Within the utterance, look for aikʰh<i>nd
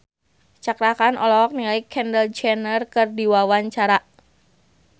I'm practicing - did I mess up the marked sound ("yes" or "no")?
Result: yes